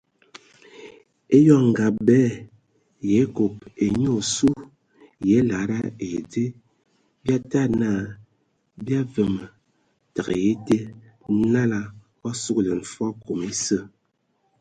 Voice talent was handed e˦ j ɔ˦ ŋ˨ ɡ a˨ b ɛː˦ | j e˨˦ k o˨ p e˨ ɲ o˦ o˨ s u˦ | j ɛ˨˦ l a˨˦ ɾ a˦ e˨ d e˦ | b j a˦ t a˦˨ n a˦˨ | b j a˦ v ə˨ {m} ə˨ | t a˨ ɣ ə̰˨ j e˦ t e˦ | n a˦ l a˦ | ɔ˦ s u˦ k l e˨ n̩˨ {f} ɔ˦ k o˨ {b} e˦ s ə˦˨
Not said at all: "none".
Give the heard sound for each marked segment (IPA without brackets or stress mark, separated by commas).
m, f, m